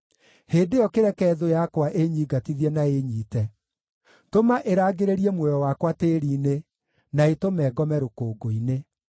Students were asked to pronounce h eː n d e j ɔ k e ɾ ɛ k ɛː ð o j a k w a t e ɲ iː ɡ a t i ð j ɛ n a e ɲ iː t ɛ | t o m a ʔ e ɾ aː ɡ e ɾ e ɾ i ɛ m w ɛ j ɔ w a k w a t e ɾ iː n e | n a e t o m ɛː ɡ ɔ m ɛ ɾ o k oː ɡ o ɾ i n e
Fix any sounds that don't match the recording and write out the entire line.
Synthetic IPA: h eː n d e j ɔ k e ɾ ɛ k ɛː ð o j a k w a ʔ e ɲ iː ɡ a t i ð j ɛ n a e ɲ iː t ɛ | t o m a ʔ e ɾ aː ɡ e ɾ e ɾ i ɛ m w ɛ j ɔ w a k w a t e ɾ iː n e | n a e t o m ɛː ɡ ɔ m ɛ ɾ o k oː ɡ o i n e

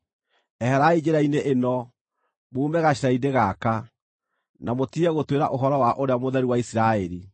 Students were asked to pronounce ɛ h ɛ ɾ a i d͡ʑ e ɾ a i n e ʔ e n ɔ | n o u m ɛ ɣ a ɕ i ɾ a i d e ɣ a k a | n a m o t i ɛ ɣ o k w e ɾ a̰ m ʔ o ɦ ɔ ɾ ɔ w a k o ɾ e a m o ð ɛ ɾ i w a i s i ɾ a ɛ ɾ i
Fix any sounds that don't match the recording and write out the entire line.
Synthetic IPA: ɛ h ɛ ɾ a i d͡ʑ e ɾ a i n e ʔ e n ɔ | m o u m ɛ ɣ a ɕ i ɾ a i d e ɣ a k a | n a m o t i ɛ ɣ o t w e ɾ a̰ ʔ o ɦ ɔ ɾ ɔ w a ʔ o ɾ e a m o ð ɛ ɾ i w a i s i ɾ a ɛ ɾ i

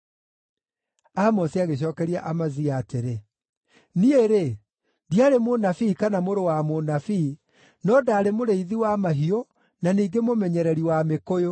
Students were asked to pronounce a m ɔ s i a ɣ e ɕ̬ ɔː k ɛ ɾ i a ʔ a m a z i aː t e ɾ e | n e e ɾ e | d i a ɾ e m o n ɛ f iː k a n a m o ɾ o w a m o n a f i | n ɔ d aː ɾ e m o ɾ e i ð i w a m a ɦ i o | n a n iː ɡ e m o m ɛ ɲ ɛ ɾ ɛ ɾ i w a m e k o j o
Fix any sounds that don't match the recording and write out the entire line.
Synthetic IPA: a m ɔ s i a ɣ e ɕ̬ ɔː k ɛ ɾ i a ʔ a m a z i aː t e ɾ e | n i e ɾ e | d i a ɾ e m o n a f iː k a n a m o ɾ o w a m o n a f i | n ɔ d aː ɾ e m o ɾ e i ð i w a m a ɦ i o | n a n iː ɡ e m o m ɛ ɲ ɛ ɾ ɛ ɾ i w a m e k o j o

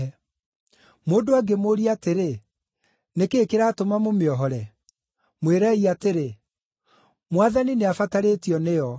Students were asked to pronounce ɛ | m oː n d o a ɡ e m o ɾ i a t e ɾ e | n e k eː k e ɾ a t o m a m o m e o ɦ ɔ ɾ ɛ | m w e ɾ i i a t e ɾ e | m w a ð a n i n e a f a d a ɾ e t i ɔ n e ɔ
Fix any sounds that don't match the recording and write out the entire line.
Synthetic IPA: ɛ | m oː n d o a ɡ e m o ɾ i a t e ɾ e | n e k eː k e ɾ a t o m a m o m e ɔ ɦ ɔ ɾ ɛ | m w e ɾ ɛ i a t e ɾ e | m w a ð a n i n e a f a t a ɾ e t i ɔ n e ɔ

